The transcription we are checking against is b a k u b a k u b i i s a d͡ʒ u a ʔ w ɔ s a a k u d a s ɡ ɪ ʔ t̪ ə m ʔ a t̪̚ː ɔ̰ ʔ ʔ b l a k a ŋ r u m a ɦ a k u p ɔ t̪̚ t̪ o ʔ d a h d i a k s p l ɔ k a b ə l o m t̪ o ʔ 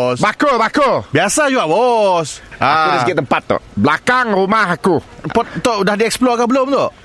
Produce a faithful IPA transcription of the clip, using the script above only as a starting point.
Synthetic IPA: b a k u b a k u b i a s a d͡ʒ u a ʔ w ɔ s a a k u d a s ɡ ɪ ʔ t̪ ə m p a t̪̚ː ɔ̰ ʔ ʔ b l a k a ŋ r u m a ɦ a k u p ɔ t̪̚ t̪ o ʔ d a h d i ɛ k s p l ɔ k a b ə l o m t̪ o ʔ